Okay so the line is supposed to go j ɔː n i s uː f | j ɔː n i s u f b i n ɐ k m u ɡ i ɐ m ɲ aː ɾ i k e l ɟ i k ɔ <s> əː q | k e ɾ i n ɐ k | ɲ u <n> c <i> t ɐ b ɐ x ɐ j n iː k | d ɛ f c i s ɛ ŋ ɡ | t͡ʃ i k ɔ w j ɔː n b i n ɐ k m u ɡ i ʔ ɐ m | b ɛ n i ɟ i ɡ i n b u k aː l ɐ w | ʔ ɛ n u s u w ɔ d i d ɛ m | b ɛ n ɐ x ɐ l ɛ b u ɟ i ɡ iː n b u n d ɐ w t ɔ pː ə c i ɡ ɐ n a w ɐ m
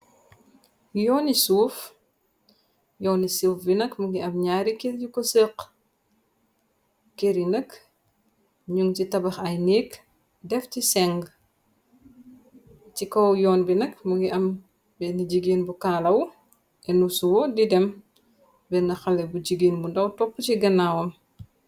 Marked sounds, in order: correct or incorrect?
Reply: correct, incorrect, correct

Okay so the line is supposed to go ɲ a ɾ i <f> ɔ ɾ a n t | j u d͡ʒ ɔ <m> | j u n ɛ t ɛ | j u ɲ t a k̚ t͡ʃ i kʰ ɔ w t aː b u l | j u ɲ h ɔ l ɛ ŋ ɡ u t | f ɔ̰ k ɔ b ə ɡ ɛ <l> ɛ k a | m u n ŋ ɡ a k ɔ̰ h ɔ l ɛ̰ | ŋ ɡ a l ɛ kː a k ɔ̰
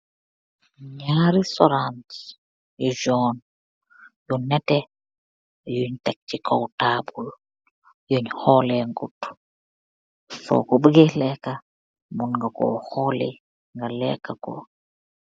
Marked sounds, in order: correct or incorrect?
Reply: incorrect, incorrect, correct

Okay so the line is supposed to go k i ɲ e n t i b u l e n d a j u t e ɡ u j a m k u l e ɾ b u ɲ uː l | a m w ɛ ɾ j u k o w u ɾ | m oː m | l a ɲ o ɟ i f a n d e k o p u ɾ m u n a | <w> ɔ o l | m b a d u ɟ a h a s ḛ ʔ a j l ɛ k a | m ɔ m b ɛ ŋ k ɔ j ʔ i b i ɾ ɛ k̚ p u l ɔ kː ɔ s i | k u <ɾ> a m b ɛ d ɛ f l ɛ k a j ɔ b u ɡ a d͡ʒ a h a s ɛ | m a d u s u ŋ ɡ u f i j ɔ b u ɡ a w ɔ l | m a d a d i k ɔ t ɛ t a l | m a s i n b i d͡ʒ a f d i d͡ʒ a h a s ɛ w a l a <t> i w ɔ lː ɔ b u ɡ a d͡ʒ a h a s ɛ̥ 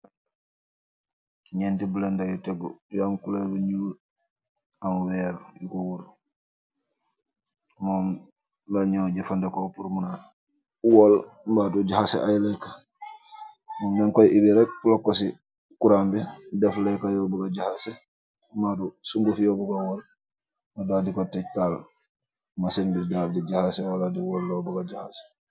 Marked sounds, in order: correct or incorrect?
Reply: correct, correct, incorrect

